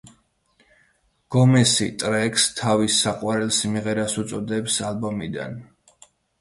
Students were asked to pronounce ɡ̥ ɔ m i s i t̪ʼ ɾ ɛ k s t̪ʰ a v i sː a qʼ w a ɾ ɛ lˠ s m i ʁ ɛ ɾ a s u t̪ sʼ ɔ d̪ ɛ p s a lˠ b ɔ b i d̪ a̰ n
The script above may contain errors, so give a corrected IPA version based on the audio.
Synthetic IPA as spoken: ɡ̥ ɔ m ɛ s i t̪ʼ ɾ ɛ k s t̪ʰ a v i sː a qʼ w a ɾ ɛ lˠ s m i ʁ ɛ ɾ a s u t̪ sʼ ɔ d̪ ɛ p s a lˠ b ɔ m i d̪ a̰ n